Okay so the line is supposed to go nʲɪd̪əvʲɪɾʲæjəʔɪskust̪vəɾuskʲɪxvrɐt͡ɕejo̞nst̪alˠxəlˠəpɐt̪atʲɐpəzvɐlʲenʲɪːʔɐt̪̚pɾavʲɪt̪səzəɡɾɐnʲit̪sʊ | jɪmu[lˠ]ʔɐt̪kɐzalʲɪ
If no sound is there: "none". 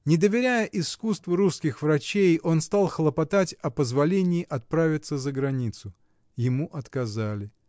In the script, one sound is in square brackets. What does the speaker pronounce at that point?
none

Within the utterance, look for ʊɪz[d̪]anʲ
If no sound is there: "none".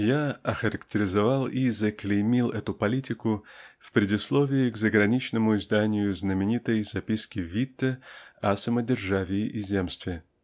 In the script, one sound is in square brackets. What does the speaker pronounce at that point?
d̪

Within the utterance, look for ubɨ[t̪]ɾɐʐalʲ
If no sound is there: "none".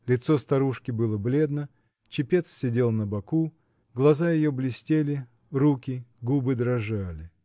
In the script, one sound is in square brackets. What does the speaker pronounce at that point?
d̪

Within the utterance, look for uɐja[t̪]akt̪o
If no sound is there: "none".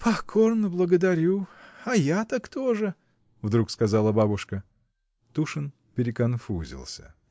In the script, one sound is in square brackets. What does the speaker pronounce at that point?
t̪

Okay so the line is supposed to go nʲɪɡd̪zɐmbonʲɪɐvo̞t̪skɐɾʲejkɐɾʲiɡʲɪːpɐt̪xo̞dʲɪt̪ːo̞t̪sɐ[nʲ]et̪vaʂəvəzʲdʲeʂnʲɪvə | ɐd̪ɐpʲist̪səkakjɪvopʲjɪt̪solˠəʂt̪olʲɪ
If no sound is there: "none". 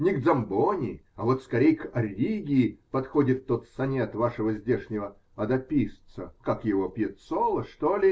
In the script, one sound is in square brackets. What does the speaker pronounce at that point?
nʲ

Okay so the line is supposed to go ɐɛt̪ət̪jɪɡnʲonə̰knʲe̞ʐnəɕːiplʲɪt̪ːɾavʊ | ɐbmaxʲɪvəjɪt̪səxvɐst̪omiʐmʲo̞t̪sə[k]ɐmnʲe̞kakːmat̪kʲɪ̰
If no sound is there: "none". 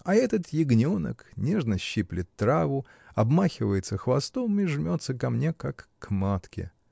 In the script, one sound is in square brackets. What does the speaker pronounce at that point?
k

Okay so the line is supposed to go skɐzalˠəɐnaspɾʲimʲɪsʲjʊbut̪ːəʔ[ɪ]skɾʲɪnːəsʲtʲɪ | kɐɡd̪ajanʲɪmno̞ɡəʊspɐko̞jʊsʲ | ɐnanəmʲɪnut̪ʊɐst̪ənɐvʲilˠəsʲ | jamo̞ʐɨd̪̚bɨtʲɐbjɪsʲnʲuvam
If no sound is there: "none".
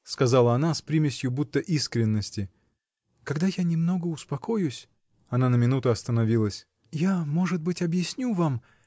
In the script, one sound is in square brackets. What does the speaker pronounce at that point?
i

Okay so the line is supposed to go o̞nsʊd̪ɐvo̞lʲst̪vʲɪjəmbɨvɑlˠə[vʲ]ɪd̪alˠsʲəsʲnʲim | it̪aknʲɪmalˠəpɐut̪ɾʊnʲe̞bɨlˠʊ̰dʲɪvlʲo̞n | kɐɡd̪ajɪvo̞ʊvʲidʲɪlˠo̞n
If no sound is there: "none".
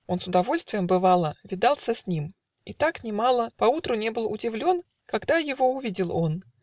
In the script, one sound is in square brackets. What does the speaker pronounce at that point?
vʲ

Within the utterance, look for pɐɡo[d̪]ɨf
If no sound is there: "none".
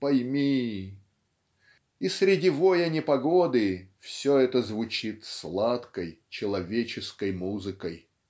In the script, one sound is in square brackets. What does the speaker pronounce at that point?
d̪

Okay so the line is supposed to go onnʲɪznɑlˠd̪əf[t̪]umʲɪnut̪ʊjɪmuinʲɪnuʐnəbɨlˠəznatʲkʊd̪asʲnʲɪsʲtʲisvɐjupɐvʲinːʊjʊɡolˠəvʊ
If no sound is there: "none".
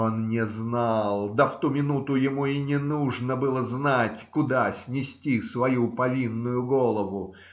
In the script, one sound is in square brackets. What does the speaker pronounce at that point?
t̪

